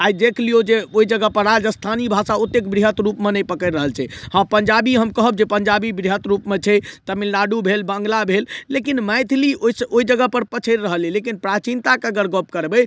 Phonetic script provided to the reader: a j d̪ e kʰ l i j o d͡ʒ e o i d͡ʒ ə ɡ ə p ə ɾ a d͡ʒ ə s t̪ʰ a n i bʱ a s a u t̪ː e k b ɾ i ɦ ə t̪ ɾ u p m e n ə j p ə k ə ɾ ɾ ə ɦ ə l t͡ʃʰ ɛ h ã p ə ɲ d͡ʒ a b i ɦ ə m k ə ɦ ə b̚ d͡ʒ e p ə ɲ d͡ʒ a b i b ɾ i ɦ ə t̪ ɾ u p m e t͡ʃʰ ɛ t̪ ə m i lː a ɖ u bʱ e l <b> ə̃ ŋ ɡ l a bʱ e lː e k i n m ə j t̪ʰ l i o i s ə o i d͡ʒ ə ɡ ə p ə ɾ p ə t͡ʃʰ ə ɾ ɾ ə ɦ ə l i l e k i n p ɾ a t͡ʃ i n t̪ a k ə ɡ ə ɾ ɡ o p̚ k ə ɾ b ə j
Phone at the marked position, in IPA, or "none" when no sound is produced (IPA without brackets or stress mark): b